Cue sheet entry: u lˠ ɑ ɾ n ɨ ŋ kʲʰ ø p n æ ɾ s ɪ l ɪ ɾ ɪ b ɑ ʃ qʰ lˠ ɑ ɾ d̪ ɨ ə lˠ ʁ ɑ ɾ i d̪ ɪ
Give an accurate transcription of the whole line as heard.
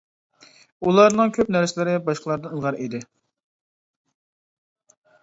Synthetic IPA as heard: u lˠ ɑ ɾ n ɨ ŋ kʲʰ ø p n æ ɾ s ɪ l ɪ ɾ ɪ b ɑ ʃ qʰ lˠ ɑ ɾ d̪ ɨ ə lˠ ʁ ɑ ɾ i d̪ ɪ